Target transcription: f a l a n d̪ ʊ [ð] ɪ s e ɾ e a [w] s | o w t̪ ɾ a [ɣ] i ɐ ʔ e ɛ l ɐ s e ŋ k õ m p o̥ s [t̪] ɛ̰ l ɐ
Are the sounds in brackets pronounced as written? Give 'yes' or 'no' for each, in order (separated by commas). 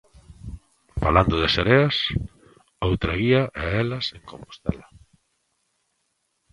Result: yes, no, yes, yes